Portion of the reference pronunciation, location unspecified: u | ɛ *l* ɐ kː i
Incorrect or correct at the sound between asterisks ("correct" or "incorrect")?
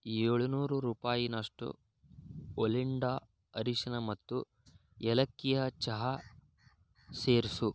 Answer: correct